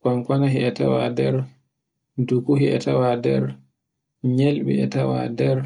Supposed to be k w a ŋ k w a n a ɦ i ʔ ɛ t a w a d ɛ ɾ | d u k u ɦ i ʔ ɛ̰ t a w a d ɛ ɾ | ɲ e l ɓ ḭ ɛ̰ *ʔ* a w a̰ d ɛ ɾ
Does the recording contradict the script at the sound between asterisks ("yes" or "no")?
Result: yes